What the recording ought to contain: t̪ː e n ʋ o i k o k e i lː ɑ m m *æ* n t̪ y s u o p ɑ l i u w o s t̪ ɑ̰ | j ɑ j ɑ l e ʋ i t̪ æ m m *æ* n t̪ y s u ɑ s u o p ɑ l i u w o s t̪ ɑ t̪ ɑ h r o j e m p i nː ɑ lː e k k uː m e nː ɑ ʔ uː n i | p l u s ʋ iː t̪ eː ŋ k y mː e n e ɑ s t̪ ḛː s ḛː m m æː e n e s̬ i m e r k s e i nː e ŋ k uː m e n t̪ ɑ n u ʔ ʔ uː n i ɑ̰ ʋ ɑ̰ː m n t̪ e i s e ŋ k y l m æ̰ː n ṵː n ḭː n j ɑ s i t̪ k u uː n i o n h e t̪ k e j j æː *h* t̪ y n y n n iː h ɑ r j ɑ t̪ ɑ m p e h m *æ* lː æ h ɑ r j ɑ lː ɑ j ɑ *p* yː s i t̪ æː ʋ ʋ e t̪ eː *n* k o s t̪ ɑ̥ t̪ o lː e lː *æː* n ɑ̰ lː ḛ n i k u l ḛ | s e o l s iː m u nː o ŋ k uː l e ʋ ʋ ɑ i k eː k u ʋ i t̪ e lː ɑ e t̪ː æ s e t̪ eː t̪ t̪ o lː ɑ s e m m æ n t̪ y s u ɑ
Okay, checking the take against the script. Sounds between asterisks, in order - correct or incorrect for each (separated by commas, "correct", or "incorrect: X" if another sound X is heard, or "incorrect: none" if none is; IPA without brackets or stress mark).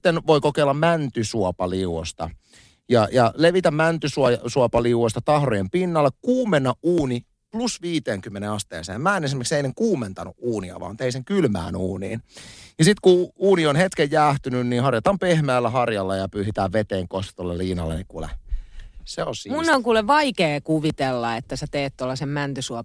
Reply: correct, correct, correct, incorrect: æː, correct, incorrect: ŋ, incorrect: iː